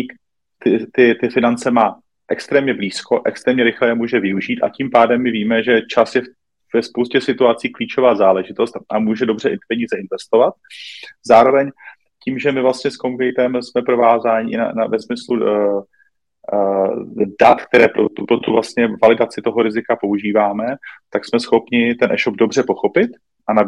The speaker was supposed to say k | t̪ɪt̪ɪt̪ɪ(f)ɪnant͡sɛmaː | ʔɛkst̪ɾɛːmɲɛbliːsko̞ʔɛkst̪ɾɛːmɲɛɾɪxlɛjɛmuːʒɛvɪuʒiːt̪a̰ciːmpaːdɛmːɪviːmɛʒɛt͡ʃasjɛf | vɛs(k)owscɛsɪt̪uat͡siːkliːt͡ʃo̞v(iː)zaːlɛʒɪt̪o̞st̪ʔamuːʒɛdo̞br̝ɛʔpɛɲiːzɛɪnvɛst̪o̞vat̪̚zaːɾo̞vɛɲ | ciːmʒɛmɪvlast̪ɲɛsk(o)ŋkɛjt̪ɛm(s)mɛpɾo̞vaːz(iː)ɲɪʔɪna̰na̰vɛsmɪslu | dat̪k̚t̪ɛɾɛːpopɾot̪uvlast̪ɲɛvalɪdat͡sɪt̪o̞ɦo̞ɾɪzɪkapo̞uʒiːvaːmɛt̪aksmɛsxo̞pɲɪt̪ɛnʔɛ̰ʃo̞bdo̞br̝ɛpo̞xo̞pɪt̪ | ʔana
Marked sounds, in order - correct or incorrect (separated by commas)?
correct, incorrect, incorrect, correct, correct, incorrect